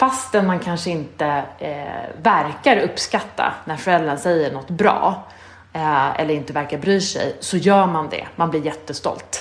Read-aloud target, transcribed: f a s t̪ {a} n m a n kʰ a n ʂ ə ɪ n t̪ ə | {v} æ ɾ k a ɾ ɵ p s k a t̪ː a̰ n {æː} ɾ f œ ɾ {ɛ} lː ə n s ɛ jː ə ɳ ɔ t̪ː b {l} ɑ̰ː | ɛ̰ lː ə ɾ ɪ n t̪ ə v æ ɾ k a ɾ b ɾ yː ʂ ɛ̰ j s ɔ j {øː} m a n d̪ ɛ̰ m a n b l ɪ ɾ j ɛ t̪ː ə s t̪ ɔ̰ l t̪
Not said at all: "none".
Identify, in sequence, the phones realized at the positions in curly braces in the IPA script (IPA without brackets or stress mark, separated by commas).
ɛ, v, æ, ɛ, ɾ, œː